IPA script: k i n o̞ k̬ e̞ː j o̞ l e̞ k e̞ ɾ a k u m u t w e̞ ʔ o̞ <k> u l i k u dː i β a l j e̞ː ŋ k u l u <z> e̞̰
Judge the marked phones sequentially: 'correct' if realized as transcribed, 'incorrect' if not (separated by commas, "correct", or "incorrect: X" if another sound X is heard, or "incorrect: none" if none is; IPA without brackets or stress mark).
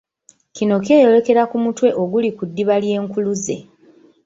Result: incorrect: ɡ, correct